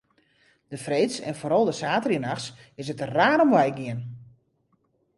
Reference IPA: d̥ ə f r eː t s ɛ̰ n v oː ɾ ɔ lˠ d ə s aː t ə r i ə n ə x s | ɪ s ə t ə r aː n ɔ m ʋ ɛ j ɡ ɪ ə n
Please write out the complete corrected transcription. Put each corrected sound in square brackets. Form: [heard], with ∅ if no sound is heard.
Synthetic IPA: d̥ ə f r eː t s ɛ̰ n [f] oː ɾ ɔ lˠ d ə s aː t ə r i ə n [a] x s | ɪ s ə t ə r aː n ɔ m ʋ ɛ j ɡ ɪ ə n